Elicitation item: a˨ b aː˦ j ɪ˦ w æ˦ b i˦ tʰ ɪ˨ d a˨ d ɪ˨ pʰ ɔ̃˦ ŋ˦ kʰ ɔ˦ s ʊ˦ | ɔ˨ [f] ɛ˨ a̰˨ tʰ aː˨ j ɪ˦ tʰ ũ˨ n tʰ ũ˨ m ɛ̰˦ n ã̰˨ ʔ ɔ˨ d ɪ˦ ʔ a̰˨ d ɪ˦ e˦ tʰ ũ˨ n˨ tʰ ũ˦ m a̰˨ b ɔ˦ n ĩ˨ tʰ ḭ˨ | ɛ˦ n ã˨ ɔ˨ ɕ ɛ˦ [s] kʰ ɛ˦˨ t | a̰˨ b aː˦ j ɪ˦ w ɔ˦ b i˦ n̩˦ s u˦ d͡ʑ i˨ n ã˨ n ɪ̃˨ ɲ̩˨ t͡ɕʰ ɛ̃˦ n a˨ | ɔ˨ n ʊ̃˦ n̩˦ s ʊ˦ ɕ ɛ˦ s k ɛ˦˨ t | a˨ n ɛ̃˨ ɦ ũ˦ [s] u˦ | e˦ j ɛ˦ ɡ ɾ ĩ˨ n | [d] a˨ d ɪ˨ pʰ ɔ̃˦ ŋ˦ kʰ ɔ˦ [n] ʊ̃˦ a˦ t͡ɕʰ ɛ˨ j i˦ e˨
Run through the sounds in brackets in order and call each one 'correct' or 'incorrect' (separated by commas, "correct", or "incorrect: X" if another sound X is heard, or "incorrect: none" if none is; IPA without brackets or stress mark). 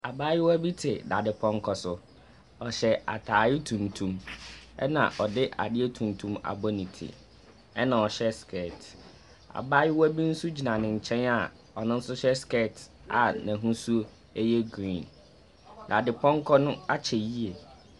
incorrect: ɕ, correct, correct, correct, correct